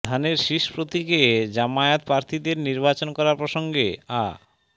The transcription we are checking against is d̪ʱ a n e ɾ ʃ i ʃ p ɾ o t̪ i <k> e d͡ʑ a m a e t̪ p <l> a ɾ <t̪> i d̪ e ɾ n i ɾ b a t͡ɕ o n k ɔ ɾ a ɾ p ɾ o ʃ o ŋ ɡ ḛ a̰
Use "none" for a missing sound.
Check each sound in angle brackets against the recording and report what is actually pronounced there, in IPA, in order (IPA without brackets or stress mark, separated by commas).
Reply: k, ɾ, t̪ʰ